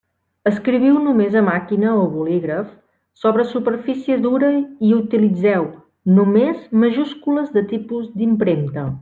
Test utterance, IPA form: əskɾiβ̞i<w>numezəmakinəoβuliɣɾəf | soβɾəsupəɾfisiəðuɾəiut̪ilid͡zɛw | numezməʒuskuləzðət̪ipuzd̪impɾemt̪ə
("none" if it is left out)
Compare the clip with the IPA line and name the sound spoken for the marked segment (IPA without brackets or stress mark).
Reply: w